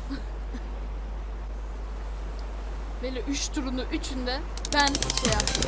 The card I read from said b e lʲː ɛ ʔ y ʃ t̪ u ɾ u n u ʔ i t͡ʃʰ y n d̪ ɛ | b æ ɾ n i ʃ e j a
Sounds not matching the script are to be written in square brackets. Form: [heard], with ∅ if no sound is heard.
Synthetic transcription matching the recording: b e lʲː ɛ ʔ y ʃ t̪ u ɾ u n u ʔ [y] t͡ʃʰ y n d̪ ɛ | b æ [∅] n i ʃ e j a